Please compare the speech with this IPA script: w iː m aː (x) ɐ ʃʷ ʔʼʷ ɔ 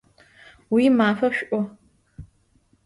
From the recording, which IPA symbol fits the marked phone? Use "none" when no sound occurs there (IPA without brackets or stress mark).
f